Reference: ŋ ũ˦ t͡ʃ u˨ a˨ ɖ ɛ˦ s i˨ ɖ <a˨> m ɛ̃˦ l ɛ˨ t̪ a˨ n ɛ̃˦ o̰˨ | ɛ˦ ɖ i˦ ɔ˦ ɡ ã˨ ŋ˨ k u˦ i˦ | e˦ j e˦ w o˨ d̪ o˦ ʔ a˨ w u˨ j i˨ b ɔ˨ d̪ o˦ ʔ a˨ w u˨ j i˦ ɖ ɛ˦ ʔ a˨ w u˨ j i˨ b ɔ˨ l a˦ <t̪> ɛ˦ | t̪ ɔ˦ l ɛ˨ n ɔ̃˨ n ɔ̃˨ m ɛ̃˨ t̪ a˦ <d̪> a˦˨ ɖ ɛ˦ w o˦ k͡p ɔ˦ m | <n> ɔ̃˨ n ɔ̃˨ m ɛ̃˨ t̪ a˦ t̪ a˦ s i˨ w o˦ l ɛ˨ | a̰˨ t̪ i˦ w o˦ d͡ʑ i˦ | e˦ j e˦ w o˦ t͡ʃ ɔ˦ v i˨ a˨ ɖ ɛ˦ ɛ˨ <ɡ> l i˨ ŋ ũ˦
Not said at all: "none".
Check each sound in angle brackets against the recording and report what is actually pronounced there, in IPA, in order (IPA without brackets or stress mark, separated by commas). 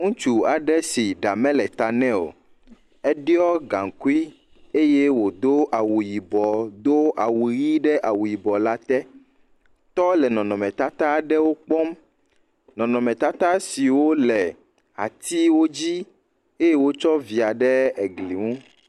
a˨, t̪, t̪, n, ɡ